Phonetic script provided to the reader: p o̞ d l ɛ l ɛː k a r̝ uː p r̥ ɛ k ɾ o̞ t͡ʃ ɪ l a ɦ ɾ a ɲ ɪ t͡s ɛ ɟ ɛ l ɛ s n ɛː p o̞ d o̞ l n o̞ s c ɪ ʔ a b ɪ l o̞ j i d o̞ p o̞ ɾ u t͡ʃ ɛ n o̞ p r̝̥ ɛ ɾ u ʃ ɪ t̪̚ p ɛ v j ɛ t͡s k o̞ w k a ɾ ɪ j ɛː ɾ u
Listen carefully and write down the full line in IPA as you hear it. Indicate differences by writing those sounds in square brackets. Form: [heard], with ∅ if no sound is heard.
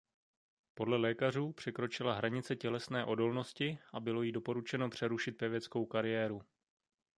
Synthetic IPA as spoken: p o̞ d l ɛ l ɛː k a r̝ uː p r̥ ɛ k ɾ o̞ t͡ʃ ɪ l a ɦ ɾ a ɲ ɪ t͡s ɛ [c] ɛ l ɛ s n ɛː [ʔ] o̞ d o̞ l n o̞ s c ɪ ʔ a b ɪ l o̞ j i d o̞ p o̞ ɾ u t͡ʃ ɛ n o̞ p r̝̥ ɛ ɾ u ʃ ɪ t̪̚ p ɛ v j ɛ t͡s k o̞ w k a ɾ ɪ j ɛː ɾ u